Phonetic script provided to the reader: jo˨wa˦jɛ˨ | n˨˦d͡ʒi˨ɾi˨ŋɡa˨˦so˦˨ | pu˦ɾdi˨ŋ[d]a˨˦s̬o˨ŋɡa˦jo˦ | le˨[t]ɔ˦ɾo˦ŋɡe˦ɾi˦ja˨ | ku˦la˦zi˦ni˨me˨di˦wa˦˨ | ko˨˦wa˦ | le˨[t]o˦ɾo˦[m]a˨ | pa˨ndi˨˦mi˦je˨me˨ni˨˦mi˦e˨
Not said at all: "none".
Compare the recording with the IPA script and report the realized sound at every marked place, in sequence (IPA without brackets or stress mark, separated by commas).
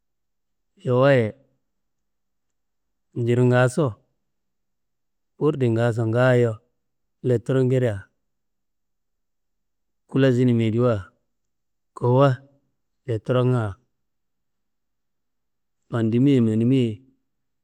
ɡ, t, t, ŋ